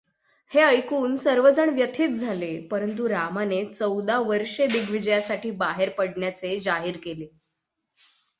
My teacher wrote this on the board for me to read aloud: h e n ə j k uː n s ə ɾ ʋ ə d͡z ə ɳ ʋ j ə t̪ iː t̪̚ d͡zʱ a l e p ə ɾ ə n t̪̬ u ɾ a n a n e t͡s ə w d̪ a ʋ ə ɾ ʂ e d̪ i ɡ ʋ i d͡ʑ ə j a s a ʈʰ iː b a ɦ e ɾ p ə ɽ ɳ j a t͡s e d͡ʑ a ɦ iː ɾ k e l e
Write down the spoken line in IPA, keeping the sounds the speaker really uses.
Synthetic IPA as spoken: h e ə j k uː n s ə ɾ ʋ ə d͡z ə ɳ ʋ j ə t̪ʰ iː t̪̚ d͡zʱ a l e p ə ɾ ə n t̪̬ u ɾ a m a n e t͡s ə w d̪ a ʋ ə ɾ ʂ e d̪ i ɡ ʋ i d͡ʑ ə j a s a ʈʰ iː b a ɦ e ɾ p ə ɽ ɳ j a t͡s e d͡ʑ a ɦ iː ɾ k e l e